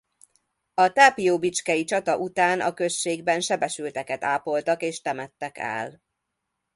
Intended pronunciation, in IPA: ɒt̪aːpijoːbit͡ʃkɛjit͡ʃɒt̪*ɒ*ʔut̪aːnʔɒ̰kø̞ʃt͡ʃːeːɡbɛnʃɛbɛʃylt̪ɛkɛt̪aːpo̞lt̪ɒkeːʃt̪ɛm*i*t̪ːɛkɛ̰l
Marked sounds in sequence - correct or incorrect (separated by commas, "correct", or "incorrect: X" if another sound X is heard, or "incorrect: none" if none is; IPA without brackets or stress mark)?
correct, incorrect: ɛ